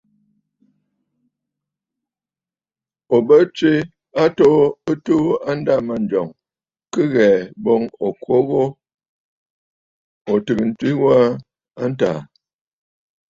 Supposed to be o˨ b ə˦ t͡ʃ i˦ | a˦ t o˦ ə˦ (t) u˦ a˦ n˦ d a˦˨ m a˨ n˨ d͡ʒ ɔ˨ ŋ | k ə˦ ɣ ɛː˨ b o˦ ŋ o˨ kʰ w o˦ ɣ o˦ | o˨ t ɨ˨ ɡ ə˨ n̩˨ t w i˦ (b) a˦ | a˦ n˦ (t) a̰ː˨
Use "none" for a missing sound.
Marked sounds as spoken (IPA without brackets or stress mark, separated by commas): t, w, t